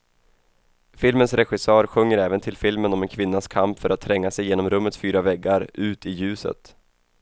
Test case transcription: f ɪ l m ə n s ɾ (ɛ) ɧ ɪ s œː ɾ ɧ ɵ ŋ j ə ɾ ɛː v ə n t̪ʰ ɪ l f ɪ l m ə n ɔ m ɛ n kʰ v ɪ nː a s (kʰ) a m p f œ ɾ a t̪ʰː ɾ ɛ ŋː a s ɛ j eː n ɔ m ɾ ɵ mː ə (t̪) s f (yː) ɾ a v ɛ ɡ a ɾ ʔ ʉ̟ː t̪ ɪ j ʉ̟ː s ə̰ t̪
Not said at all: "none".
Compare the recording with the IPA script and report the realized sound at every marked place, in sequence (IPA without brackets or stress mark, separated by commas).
ɛ, kʰ, t̪, yː